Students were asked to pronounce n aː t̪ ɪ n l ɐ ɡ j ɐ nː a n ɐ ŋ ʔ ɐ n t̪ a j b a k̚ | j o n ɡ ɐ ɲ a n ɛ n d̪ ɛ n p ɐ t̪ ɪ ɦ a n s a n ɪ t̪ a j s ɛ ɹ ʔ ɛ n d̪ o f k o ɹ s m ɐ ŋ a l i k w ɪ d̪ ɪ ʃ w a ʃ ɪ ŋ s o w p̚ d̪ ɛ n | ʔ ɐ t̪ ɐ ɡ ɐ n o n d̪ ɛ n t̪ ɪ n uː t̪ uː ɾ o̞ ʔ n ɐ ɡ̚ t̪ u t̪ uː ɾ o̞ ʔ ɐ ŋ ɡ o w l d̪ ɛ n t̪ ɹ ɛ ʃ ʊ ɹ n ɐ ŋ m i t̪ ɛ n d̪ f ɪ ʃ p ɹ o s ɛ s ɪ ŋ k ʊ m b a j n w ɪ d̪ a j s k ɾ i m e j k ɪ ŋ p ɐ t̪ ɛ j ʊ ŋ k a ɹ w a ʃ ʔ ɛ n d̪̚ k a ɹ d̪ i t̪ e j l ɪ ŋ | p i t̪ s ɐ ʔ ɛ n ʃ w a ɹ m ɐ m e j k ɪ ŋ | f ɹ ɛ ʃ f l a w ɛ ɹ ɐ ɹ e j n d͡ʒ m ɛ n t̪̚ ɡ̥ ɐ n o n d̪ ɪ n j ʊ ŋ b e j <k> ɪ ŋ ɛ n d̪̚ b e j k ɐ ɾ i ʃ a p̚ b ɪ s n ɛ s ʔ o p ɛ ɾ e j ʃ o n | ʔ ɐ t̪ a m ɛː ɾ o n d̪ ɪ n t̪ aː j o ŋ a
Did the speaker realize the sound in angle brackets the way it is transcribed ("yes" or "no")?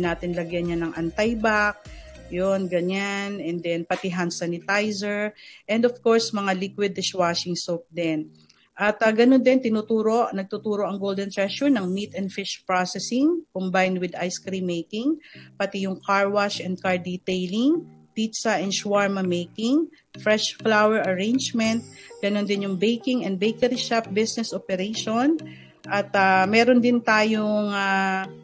yes